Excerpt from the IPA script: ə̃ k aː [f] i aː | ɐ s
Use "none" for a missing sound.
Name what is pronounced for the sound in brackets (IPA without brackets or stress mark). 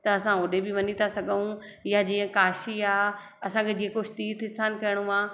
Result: ʃ